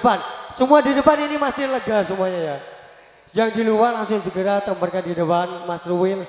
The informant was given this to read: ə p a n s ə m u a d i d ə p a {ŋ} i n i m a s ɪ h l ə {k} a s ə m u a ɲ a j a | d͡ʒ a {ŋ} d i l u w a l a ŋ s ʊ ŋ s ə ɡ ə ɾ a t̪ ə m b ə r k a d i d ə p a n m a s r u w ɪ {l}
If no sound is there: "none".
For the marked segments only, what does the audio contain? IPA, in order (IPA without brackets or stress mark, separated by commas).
n, ɡ, ŋ, l